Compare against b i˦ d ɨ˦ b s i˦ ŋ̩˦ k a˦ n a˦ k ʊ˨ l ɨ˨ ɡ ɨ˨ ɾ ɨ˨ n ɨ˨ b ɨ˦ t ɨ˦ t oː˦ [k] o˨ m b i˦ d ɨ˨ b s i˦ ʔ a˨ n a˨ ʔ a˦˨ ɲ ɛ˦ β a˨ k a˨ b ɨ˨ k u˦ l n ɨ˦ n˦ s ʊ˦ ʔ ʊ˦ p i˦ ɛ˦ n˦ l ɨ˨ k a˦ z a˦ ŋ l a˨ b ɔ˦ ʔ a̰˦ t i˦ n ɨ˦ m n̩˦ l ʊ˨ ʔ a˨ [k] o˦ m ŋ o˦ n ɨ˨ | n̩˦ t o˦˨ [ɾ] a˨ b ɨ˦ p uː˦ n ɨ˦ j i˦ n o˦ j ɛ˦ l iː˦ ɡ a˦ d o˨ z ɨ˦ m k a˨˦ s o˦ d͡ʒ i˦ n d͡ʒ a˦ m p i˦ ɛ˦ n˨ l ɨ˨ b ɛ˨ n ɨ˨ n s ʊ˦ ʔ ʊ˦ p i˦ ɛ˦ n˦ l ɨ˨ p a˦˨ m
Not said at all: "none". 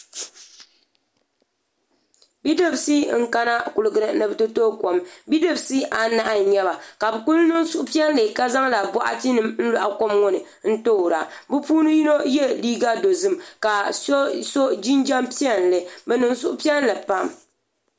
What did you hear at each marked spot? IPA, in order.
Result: k, k, ɾ

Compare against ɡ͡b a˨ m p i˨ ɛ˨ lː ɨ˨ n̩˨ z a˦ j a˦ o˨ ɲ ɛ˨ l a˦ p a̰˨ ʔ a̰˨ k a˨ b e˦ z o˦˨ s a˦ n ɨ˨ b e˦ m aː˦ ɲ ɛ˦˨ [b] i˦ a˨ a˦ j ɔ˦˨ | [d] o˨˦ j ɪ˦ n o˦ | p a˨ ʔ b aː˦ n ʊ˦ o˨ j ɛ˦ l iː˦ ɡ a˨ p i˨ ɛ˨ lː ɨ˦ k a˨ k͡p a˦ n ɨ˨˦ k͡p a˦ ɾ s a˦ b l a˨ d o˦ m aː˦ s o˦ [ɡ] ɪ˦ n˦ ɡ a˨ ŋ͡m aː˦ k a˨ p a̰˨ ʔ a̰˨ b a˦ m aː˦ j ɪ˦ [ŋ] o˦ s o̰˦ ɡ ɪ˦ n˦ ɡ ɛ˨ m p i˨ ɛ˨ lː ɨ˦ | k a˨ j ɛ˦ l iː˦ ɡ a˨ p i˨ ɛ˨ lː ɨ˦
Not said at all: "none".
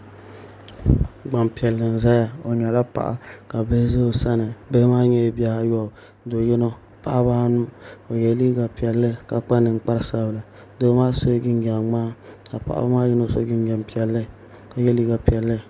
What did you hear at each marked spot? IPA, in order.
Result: b, d, ɡ, n

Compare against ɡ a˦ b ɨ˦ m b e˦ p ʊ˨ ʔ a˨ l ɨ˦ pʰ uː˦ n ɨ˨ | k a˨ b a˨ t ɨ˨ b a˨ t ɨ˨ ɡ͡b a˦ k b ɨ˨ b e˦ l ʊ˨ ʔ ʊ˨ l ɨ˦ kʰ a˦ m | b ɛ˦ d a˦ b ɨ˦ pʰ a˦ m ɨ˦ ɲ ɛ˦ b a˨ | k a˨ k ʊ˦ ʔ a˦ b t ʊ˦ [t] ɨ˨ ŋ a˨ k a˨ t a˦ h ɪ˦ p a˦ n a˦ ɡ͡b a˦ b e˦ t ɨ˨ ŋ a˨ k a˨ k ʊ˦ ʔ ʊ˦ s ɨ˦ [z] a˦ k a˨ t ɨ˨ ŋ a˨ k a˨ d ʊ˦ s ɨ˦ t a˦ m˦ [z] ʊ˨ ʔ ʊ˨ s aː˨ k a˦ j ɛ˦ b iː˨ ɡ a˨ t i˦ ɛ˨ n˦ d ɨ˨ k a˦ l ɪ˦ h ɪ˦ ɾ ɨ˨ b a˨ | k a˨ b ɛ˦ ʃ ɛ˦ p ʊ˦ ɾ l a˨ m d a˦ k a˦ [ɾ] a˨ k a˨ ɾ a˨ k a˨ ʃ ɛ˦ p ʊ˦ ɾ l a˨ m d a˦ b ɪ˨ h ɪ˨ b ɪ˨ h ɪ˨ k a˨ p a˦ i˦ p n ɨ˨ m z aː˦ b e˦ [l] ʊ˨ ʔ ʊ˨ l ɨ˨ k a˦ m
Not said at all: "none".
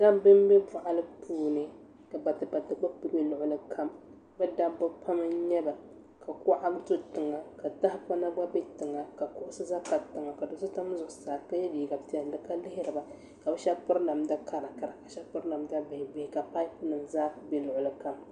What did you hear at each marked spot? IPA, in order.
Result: t, z, z, ɾ, l

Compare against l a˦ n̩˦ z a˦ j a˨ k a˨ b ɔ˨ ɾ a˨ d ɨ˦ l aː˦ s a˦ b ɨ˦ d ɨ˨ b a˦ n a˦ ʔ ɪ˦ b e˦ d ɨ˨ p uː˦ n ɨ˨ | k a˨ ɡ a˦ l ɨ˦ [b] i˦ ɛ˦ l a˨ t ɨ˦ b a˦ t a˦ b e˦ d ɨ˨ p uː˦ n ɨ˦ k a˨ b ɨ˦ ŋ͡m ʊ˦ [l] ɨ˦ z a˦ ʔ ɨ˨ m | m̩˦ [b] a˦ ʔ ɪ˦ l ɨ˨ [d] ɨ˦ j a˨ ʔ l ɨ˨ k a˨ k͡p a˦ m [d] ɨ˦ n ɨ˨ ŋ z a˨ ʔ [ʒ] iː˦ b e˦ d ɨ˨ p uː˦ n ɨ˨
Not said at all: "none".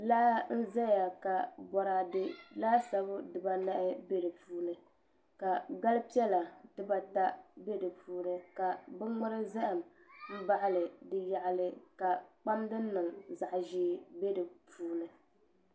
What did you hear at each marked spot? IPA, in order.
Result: p, ɾ, b, d, d, ʒ

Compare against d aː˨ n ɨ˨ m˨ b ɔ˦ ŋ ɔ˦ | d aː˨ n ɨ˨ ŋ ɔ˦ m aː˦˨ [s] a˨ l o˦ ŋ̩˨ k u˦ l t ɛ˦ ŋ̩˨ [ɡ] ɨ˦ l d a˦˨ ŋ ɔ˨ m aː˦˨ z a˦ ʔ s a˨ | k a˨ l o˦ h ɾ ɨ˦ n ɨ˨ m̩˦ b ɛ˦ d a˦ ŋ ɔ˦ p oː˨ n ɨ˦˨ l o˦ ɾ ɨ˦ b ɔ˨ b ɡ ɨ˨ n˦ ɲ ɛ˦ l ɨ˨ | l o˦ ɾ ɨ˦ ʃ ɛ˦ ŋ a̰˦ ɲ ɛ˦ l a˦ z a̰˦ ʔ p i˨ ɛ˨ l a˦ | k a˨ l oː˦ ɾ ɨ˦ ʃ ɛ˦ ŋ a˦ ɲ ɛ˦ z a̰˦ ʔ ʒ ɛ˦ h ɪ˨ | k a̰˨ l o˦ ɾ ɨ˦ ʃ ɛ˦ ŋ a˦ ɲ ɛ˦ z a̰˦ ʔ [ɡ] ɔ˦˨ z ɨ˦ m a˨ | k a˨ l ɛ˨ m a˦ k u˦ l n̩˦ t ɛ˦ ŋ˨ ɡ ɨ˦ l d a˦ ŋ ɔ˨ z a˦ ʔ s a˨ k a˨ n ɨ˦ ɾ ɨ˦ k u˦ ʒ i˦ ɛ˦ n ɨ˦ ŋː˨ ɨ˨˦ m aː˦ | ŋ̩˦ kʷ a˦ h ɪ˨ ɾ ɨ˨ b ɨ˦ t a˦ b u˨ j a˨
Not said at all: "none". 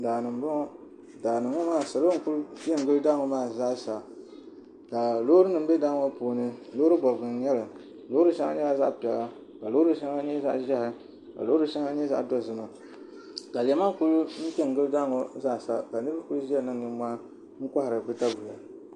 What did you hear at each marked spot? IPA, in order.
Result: s, ɡ, d

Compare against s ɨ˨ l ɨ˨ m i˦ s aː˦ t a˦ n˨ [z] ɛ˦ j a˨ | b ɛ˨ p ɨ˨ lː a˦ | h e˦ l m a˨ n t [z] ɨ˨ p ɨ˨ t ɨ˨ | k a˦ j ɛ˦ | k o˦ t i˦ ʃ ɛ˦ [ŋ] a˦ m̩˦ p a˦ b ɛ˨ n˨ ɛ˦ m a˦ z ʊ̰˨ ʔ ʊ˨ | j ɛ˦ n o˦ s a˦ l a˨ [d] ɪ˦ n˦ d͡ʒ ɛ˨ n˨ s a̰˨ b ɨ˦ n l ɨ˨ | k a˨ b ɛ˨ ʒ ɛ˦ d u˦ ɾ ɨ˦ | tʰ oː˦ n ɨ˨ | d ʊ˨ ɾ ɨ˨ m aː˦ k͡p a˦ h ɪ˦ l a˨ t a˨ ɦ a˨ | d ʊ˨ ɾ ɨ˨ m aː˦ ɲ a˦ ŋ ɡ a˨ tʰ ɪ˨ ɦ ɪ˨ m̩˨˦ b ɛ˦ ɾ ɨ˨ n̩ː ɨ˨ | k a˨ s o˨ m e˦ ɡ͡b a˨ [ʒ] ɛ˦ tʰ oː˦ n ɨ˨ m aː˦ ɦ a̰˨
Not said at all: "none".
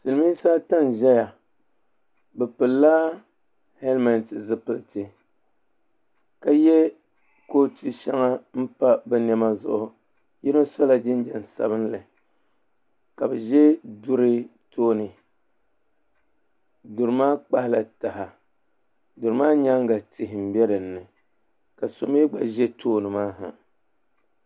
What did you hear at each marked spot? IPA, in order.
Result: ʒ, z, ŋ, d͡ʒ, ʒ

